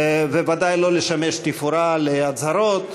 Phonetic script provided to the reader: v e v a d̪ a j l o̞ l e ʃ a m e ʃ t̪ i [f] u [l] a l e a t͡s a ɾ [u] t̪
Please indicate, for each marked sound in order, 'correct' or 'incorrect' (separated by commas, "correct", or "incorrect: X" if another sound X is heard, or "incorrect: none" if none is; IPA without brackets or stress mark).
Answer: correct, incorrect: ɾ, incorrect: o